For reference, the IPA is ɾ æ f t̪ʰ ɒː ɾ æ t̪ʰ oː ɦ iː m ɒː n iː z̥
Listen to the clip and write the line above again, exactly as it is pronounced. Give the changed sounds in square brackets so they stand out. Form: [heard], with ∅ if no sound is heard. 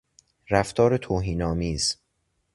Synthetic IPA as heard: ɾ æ f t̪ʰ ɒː ɾ [e] t̪ʰ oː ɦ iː [n] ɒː [m] iː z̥